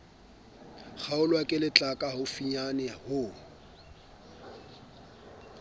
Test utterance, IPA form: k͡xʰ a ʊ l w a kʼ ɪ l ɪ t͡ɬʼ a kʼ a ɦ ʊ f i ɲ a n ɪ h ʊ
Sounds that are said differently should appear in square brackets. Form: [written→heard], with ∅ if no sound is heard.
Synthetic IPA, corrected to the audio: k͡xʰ a ʊ l w a kʼ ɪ l ɪ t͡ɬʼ a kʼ a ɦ ʊ f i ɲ a n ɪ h ʊ

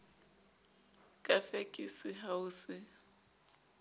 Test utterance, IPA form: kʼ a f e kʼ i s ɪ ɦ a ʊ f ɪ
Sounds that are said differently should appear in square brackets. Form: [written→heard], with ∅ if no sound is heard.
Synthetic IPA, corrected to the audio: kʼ a f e kʼ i s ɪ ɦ a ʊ [f→s] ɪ

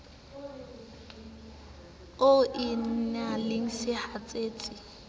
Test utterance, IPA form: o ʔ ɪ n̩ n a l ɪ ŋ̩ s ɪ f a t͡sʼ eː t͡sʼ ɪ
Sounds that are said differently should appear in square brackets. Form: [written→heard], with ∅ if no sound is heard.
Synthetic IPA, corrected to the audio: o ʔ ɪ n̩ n a l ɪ ŋ̩ s ɪ [f→h] a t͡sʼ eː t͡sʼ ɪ

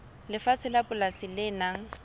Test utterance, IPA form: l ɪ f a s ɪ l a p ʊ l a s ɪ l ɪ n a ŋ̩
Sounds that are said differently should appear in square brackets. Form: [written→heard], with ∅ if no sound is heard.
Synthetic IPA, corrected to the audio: l ɪ f a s ɪ l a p ʊ l a s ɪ l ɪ n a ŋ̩

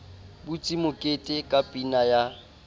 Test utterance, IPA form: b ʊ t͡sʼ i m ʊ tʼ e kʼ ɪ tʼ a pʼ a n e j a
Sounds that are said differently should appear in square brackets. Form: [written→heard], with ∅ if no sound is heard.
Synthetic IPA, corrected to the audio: b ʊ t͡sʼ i m ʊ [tʼ→kʼ] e [kʼ→tʼ] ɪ [tʼ→kʼ] a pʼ [a→i] n [e→a] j a

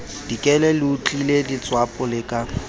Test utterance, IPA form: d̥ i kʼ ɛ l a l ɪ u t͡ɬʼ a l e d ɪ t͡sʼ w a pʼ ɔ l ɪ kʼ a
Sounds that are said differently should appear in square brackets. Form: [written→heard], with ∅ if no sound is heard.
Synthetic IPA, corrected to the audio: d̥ i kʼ ɛ l [a→ɛ] l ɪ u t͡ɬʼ [a→i] l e d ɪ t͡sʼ w a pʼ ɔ l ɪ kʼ a

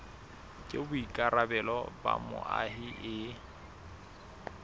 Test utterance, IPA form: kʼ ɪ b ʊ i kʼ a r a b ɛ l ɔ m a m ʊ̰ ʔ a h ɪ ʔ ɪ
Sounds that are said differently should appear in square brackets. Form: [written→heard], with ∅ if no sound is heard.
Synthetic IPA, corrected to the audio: kʼ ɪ b ʊ i kʼ a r a b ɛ l ɔ [m→b] a m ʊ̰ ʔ a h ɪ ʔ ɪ

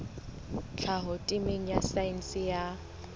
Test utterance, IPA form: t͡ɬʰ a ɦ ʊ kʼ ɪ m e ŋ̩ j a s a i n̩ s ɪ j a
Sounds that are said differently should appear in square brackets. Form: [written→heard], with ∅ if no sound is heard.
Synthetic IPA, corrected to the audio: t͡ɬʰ a ɦ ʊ [kʼ→tʼ] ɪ m e ŋ̩ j a s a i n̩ s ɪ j a

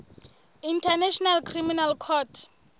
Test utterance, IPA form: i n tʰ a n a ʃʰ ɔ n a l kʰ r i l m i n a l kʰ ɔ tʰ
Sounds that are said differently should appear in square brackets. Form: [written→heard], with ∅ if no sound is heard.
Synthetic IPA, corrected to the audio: i n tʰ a n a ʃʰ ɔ n a l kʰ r i [l→∅] m i n a l kʰ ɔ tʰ

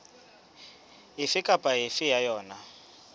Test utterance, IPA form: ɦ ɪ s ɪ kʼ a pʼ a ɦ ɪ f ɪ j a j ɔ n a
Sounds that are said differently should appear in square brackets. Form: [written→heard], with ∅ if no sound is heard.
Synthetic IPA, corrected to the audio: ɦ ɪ [s→f] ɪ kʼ a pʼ a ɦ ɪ f ɪ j a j [ɔ→ɔː] n a

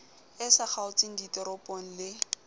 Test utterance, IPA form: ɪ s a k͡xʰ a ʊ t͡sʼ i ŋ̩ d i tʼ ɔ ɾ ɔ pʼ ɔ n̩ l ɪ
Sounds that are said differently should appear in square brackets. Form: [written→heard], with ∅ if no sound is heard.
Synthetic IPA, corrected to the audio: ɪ s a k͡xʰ a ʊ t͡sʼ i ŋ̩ d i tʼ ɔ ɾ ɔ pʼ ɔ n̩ l ɪ

